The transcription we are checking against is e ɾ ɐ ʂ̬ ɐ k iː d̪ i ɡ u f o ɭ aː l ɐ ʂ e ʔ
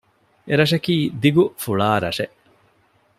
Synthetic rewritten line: e ɾ ɐ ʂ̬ ɐ k iː d̪ i ɡ u f u ɭ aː ɾ ɐ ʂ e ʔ